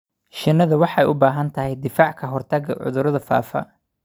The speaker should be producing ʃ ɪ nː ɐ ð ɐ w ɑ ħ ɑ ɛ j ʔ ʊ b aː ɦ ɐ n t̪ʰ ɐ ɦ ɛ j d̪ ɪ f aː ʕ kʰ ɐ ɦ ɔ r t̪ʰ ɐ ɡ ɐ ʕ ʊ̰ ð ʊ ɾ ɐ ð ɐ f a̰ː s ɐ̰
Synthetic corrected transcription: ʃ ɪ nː ɐ ð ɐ w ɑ ħ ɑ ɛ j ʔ ʊ b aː ɦ ɐ n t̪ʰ ɐ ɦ ɛ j d̪ ɪ f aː ʕ kʰ ɐ ɦ ɔ r t̪ʰ ɐ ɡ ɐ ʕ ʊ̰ ð ʊ ɾ ɐ ð ɐ f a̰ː f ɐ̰